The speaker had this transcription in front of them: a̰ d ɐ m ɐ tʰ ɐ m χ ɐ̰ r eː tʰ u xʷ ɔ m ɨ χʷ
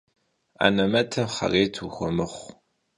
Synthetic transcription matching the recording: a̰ n ɐ m ɐ tʰ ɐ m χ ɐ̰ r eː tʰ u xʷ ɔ m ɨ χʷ